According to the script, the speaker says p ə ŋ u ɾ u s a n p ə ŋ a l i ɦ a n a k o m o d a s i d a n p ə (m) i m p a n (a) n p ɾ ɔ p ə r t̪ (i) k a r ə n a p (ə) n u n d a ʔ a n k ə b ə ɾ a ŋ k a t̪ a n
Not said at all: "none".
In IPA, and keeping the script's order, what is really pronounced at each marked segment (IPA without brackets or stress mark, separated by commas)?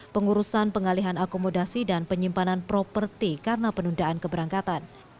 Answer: ɲ, a, i, ə